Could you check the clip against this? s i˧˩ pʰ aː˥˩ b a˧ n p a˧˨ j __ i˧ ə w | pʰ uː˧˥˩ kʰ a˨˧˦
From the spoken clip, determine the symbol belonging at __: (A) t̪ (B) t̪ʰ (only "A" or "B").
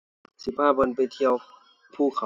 B